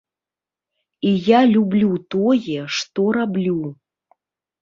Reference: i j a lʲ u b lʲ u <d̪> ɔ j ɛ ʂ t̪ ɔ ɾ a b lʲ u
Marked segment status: incorrect: t̪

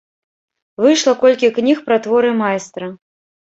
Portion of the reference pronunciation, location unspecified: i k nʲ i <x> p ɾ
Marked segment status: correct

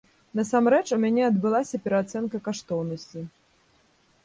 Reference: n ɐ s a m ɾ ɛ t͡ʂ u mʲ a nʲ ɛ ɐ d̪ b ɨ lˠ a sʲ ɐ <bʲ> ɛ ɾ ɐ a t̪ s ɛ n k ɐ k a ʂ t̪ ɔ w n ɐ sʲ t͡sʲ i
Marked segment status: incorrect: pʲ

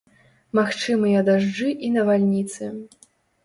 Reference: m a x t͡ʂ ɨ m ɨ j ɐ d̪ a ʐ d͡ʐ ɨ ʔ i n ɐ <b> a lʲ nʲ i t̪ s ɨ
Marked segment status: incorrect: v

